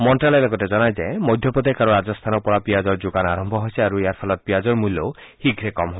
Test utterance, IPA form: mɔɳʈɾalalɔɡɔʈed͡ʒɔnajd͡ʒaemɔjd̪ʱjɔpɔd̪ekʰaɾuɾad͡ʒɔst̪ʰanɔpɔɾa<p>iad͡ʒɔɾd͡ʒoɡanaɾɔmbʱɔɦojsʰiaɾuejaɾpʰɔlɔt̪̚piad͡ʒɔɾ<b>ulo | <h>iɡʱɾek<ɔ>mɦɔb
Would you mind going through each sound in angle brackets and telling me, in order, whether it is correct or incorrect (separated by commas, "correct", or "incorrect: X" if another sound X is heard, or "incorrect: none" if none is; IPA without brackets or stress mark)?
correct, incorrect: m, correct, correct